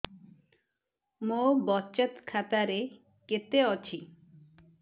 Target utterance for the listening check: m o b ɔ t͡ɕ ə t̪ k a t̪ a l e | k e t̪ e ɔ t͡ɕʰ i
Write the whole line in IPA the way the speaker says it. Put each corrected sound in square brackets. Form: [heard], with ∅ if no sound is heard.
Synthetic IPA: m o b ɔ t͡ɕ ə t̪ [kʰ] a t̪ a [ɾ] e | k e t̪ e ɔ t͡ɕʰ i